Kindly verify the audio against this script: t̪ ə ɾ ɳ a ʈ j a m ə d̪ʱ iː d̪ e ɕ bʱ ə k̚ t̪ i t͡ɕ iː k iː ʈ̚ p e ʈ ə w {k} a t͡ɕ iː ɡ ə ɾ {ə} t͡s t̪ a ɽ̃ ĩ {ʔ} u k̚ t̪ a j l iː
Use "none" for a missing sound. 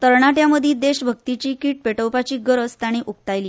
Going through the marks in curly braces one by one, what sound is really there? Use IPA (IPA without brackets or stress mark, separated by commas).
p, ə, ʔ